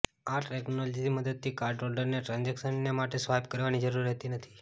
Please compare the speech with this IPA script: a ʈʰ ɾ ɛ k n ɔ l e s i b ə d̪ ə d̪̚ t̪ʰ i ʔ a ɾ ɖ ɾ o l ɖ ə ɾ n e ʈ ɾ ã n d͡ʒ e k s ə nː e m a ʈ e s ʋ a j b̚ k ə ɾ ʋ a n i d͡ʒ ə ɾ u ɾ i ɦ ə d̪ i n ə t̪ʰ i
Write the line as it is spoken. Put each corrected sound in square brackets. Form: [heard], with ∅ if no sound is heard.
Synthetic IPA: a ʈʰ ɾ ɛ k n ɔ l [i] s i [m] ə d̪ ə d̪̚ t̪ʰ i [k] a ɾ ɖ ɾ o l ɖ ə ɾ n e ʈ ɾ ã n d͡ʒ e k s ə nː e m a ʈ e s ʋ a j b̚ k ə ɾ ʋ a n i d͡ʒ ə ɾ u ɾ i ɦ ə [t̪] i n ə t̪ʰ i